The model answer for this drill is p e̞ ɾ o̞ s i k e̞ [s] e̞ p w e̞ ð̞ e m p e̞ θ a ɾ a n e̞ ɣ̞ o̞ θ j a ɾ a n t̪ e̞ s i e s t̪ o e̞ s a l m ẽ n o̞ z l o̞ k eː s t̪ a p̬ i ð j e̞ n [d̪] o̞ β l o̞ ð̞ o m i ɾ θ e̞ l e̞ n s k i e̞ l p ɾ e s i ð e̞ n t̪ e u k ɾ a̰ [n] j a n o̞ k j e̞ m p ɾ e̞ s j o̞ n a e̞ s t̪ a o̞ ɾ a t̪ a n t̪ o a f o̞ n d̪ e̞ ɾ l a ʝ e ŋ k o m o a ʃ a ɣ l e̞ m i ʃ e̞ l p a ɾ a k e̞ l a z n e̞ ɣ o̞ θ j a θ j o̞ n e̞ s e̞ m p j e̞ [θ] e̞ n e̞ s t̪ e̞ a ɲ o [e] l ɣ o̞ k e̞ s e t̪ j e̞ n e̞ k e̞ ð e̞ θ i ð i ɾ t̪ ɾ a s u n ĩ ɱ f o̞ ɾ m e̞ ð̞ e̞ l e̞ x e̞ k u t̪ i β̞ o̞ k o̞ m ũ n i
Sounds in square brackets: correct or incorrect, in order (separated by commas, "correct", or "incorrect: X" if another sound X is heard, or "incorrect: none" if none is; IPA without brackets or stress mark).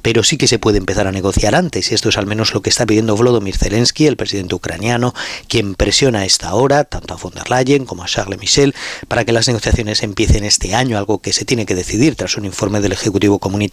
correct, correct, correct, correct, incorrect: a